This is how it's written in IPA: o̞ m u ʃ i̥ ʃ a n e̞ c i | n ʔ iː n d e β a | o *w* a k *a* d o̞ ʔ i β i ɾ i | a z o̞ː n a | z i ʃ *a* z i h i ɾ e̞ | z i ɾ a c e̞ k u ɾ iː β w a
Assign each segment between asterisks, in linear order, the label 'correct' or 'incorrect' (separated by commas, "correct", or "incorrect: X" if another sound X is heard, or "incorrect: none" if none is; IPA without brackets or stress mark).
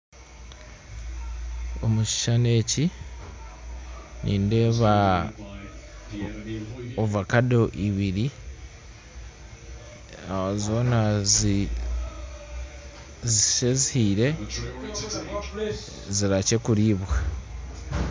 incorrect: v, correct, incorrect: e